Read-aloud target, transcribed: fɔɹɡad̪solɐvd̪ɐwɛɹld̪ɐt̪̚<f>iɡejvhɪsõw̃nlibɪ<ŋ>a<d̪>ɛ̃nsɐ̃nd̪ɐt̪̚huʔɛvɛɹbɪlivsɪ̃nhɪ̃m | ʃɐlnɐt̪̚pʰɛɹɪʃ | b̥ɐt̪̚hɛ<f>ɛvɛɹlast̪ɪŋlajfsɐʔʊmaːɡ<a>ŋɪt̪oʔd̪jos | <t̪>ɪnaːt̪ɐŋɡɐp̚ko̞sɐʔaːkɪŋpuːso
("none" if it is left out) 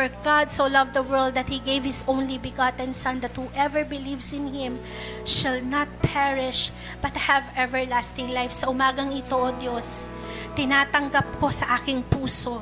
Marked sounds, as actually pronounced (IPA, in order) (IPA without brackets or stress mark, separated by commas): h, ɡ, t̪, v, ɐ, t̪